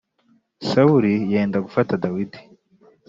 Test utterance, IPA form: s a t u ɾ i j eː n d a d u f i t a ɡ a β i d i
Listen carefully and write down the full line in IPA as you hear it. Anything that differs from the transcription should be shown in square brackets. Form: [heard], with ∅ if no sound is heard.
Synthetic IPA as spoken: s a [∅] u ɾ i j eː n d a [ɡ] u f [a] t a [d] a [w] i d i